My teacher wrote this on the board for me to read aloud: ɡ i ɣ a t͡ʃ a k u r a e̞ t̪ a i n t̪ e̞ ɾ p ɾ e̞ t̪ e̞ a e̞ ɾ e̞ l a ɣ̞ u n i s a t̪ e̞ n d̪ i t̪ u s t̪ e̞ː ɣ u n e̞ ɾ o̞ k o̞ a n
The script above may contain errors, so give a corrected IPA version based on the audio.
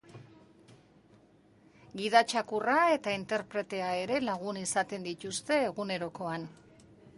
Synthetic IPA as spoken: ɡ i ð a t͡ʃ a k u r a e̞ t̪ a i n t̪ e̞ ɾ p ɾ e̞ t̪ e̞ a e̞ ɾ e̞ l a ɣ̞ u n i s a t̪ e̞ n d̪ i t̪ u s t̪ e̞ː ɣ u n e̞ ɾ o̞ k o̞ a n